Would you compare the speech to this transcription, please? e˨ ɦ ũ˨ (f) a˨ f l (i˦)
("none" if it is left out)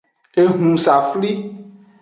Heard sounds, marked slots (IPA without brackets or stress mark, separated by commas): s, i˦